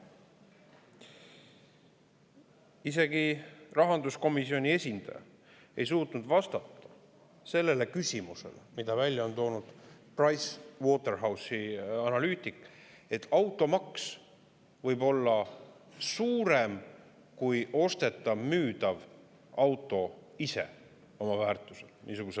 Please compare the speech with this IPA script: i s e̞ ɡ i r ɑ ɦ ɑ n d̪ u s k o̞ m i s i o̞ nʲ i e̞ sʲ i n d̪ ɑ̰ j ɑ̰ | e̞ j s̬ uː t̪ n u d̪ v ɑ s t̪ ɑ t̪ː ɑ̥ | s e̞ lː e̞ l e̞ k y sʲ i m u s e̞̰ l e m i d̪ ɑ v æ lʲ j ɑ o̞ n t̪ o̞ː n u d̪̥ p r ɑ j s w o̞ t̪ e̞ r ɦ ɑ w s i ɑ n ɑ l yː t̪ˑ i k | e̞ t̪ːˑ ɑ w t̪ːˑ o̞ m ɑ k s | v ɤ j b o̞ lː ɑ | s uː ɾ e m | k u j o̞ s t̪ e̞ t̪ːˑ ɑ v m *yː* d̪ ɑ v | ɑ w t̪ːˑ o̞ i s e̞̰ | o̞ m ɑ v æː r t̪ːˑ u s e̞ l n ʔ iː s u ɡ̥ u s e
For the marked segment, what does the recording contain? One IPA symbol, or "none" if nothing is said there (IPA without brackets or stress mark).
yː